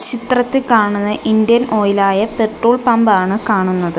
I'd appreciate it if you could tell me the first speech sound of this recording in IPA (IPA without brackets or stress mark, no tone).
t͡ɕ